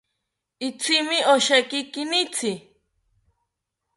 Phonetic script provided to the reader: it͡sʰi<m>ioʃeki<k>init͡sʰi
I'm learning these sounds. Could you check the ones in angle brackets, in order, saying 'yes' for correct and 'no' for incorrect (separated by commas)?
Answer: yes, yes